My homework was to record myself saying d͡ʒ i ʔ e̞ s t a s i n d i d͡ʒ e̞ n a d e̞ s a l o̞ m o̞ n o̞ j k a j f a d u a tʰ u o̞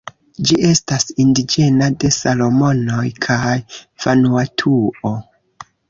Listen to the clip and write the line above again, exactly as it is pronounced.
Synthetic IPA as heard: d͡ʒ i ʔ e̞ s t a s i n d i d͡ʒ e̞ n a d e̞ s a l o̞ m o̞ n o̞ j kʰ a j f a n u a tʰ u o̞